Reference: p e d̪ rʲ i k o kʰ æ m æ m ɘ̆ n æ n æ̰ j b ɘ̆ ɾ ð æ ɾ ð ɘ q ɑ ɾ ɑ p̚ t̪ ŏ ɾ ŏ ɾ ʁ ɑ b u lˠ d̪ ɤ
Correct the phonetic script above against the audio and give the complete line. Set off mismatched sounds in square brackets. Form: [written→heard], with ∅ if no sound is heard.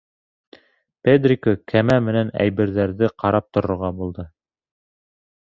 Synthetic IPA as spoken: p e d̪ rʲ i k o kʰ æ m æ m ɘ̆ n æ n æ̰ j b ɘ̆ ɾ ð æ ɾ ð ɘ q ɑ ɾ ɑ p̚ t̪ ŏ ɾ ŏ ɾ ʁ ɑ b u lˠ d̪ ɤ